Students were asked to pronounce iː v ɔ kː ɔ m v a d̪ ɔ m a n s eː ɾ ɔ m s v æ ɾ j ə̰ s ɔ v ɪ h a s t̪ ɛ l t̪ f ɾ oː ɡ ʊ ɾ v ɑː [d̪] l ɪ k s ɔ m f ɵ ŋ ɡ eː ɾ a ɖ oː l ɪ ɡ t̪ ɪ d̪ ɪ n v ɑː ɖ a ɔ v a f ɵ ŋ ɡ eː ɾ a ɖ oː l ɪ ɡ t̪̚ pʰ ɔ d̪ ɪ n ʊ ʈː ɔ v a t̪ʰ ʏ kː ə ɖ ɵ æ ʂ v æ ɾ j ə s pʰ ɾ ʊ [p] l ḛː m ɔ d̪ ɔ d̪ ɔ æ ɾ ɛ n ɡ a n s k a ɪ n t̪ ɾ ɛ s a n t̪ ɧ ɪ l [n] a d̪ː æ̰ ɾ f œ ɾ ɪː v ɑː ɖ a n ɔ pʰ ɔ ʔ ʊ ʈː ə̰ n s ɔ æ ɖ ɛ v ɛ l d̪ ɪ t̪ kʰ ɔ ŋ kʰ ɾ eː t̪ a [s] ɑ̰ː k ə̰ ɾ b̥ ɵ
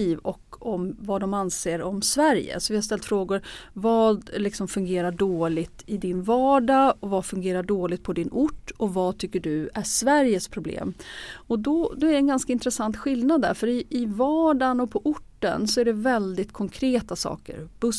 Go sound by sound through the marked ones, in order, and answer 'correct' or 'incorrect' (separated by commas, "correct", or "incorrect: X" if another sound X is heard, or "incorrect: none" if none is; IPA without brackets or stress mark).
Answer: correct, incorrect: b, correct, correct